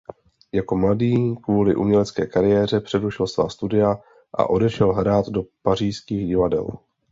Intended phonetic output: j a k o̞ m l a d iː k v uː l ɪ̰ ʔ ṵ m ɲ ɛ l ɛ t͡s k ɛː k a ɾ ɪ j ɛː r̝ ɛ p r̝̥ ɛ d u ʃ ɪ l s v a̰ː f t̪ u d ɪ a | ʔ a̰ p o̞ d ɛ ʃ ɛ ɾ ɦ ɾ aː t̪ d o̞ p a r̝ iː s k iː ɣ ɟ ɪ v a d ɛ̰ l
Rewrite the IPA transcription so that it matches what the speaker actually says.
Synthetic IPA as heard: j a k o̞ m l a d iː k v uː l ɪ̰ ʔ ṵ m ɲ ɛ l ɛ t͡s k ɛː k a ɾ ɪ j ɛː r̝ ɛ p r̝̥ ɛ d u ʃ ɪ l s v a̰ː s t̪ u d ɪ a | ʔ a̰ ʔ o̞ d ɛ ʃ ɛ l ɦ ɾ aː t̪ d o̞ p a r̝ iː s k iː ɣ ɟ ɪ v a d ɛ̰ l

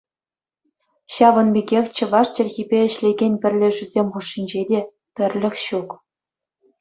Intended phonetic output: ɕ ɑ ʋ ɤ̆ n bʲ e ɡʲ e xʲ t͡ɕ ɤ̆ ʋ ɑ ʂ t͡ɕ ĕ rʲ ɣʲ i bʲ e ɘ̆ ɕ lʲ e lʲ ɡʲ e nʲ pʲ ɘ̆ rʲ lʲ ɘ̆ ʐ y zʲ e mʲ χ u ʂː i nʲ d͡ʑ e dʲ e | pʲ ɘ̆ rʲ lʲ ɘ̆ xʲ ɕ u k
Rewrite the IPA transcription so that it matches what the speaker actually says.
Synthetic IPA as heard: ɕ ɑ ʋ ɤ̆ n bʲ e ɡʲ e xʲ t͡ɕ ɤ̆ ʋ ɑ ʂ t͡ɕ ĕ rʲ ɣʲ i bʲ e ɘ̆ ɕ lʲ e ɡʲ e nʲ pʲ ɘ̆ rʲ lʲ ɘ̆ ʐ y zʲ e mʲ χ u ʂː i nʲ d͡ʑ e dʲ e | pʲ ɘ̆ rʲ lʲ ɘ̆ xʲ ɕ u k

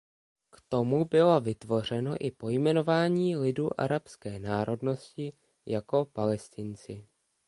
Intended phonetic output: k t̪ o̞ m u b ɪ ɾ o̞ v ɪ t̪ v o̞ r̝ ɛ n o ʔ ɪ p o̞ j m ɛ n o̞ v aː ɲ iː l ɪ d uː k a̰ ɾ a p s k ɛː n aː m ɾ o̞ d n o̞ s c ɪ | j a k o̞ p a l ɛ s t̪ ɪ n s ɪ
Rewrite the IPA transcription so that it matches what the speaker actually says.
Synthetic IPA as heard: k t̪ o̞ m u b ɪ l o̞ v ɪ t̪ v o̞ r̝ ɛ n o ʔ ɪ p o̞ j m ɛ n o̞ v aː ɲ iː l ɪ d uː ʔ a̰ ɾ a p s k ɛː n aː ɾ o̞ d n o̞ s c ɪ | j a k o̞ p a l ɛ s t̪ ɪ n t͡s ɪ

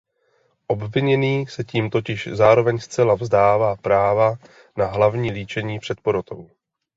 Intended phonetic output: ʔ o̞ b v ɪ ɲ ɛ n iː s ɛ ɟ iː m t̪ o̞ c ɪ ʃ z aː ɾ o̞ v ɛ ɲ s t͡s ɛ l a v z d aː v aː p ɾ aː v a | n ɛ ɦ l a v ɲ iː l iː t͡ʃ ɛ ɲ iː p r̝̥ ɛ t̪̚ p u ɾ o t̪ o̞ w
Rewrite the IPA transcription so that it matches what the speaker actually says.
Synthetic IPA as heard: ʔ o̞ b v ɪ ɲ ɛ n iː s ɛ c iː m t̪ o̞ c ɪ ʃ z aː ɾ o̞ v ɛ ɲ s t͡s ɛ l a v z d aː v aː p ɾ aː v a | n a ɦ l a v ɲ iː l iː t͡ʃ ɛ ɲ iː p r̝̥ ɛ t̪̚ p o ɾ o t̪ o̞ w

